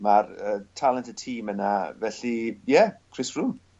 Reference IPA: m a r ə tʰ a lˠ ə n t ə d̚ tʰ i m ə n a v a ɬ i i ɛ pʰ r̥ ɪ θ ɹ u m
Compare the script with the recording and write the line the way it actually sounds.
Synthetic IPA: m a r ə tʰ a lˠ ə n t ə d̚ tʰ iː m ə n a v ɛ ɬ i j ɛ kʰ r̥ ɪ s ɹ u m